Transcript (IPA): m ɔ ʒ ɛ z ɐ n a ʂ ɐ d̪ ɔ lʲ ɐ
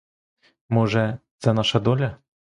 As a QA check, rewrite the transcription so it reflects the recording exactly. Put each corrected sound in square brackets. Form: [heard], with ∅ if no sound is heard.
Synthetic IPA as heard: m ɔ [ʐ] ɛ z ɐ n a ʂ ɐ d̪ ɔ lʲ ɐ